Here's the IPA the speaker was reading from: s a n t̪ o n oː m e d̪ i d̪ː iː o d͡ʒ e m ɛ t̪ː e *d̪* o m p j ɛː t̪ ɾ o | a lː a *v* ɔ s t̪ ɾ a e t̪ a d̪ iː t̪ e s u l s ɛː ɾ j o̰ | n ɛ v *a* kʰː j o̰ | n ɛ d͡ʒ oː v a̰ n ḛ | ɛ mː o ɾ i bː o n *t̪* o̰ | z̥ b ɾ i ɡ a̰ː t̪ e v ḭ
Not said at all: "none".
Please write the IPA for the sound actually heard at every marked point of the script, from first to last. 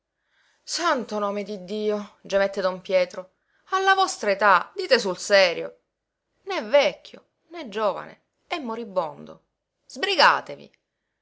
d̪, v, ɛ, d̪

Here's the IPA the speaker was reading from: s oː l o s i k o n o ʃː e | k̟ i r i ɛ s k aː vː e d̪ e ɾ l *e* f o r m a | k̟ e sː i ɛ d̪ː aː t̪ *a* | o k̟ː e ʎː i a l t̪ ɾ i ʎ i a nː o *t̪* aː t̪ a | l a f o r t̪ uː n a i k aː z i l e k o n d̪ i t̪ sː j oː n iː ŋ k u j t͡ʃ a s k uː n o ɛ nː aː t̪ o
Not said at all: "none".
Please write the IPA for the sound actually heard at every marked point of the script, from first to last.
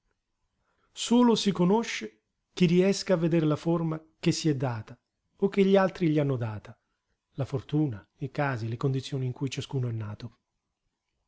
a, a, d̪

